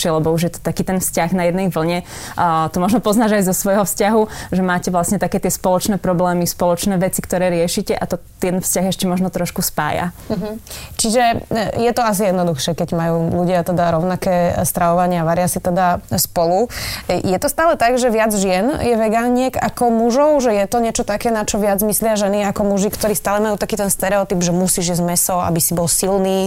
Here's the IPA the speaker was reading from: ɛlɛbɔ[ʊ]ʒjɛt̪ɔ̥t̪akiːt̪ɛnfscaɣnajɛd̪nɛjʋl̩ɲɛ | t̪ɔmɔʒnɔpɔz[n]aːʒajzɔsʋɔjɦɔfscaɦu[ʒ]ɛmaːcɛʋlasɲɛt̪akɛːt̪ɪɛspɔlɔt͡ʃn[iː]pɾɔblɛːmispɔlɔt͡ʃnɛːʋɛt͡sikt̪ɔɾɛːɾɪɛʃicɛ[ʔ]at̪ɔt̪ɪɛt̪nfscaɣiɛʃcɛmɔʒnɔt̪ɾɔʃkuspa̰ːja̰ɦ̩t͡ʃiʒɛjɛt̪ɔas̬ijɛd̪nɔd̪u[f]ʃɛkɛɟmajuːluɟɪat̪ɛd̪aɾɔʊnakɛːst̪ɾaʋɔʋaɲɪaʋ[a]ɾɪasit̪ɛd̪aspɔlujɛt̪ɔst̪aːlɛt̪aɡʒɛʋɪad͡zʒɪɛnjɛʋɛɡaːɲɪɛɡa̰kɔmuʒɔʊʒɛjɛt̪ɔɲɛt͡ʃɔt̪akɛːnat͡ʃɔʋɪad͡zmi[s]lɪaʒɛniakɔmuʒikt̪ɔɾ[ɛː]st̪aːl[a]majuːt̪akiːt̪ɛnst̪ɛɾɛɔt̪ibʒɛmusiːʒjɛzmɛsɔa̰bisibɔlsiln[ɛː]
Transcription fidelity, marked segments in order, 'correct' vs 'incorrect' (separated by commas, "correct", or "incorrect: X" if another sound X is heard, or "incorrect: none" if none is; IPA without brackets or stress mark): incorrect: u, correct, correct, incorrect: ɛː, correct, incorrect: x, correct, correct, incorrect: iː, incorrect: ɛ, incorrect: iː